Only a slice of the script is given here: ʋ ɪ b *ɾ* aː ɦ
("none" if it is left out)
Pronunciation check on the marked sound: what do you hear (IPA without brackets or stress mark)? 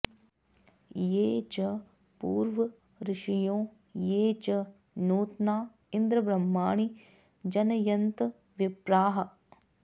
ɾ